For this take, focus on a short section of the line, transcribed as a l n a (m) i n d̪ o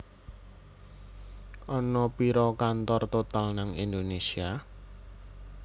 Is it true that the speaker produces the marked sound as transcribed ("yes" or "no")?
no